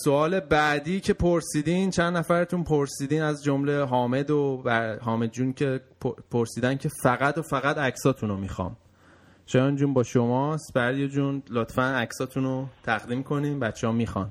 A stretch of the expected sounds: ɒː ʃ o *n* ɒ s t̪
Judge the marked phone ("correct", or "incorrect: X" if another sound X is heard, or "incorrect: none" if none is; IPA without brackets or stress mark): incorrect: m